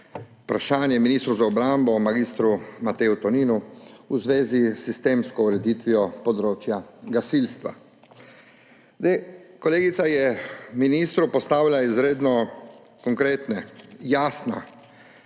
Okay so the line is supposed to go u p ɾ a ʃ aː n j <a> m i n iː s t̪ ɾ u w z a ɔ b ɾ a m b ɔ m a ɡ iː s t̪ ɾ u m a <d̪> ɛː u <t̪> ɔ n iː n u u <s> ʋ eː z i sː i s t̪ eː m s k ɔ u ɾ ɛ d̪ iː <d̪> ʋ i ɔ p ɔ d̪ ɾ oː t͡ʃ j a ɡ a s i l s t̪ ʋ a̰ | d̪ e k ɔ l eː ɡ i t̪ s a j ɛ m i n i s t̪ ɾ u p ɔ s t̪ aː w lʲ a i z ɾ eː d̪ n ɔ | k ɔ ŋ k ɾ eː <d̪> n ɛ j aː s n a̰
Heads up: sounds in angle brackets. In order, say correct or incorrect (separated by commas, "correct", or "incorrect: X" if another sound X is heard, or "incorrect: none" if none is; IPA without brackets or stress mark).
incorrect: ɛ, incorrect: t̪, correct, incorrect: z, incorrect: t̪, incorrect: t̪